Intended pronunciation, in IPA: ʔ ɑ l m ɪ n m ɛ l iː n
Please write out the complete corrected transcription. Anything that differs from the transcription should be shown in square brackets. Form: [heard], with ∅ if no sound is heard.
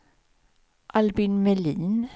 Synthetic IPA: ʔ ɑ l [b] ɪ n m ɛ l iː n